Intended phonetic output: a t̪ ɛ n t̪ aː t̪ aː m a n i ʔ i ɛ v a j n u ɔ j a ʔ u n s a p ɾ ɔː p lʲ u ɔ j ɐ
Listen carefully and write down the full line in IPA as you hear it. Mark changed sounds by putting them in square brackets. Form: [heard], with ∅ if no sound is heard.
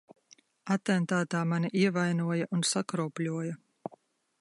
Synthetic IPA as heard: a t̪ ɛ n t̪ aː t̪ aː m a n i ʔ i ɛ v a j n u ɔ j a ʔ u n s a [k] ɾ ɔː p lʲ u ɔ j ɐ